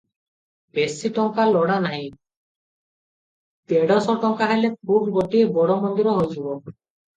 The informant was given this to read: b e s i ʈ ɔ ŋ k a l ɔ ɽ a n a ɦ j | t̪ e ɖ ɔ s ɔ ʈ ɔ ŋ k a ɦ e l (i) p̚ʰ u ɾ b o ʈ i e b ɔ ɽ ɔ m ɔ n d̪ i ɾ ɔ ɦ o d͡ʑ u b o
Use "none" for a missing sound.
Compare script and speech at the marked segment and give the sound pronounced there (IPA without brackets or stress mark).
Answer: e